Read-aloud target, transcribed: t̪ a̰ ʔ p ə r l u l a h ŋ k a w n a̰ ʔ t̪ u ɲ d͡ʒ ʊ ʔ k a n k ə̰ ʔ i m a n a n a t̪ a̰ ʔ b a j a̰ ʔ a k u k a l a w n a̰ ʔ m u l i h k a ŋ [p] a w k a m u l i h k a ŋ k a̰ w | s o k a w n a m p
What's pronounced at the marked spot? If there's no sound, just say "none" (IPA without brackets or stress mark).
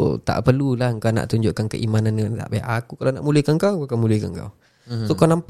k